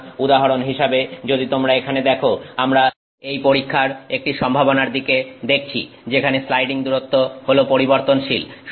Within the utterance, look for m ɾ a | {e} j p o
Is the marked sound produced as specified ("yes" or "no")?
yes